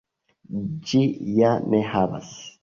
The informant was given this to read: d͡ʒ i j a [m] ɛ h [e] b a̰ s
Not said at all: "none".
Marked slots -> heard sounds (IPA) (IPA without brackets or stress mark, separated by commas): n, a